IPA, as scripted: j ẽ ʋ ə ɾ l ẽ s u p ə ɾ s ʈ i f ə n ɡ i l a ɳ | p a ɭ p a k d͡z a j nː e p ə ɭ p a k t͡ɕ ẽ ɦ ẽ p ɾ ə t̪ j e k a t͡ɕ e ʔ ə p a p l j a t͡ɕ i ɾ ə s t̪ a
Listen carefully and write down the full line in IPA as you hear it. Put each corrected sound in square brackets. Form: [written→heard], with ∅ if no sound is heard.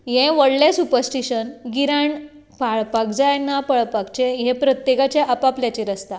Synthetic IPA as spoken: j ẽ ʋ ə [ɾ→ɽ] l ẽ s u p ə ɾ s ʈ i [f→ɕ] ə n ɡ i [l→ɾ] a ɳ | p a ɭ p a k d͡z a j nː [e→a] p ə ɭ p a k t͡ɕ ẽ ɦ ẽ p ɾ ə t̪ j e k a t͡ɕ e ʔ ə p a p l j a t͡ɕ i ɾ ə s t̪ a